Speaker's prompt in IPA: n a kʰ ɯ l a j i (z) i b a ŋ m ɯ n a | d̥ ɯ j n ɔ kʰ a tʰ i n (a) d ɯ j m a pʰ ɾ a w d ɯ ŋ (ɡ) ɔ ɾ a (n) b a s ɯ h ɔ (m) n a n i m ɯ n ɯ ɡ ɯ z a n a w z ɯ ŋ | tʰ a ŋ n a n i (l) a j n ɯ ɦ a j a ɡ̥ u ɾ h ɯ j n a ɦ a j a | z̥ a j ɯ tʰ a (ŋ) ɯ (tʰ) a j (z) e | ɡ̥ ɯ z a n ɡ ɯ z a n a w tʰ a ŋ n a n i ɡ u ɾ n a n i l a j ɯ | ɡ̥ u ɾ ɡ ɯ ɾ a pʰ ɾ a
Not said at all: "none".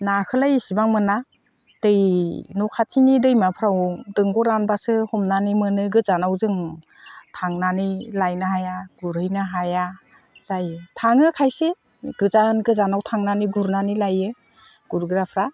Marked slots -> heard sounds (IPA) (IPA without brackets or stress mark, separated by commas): s, i, ɡ, n, m, l, ŋ, kʰ, s